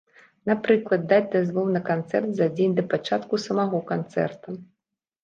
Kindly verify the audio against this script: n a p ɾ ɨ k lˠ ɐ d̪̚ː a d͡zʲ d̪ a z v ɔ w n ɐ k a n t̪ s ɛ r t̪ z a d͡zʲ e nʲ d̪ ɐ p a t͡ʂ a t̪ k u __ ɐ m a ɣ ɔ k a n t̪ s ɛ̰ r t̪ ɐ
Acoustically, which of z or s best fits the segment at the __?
s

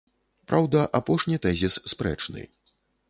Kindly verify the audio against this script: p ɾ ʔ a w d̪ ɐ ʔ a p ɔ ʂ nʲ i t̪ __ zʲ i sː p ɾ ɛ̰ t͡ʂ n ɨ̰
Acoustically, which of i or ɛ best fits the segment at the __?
ɛ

